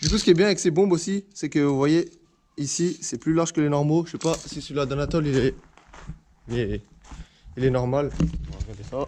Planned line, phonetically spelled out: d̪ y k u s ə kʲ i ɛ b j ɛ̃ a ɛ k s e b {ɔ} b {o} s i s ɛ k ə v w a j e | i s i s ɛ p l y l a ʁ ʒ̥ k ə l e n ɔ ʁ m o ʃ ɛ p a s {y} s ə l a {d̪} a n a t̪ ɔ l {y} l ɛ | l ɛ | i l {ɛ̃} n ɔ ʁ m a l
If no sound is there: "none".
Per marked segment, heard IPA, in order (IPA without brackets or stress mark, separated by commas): ɔ̃, o, i, d̪, i, ɛ